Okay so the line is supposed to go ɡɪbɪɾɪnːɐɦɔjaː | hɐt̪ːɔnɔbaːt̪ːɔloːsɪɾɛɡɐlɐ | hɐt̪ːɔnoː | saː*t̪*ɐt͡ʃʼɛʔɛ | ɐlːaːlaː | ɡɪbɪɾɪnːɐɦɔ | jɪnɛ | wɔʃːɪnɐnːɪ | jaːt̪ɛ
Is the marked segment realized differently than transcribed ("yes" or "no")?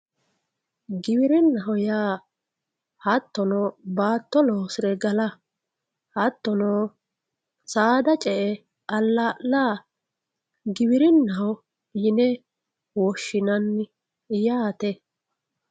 yes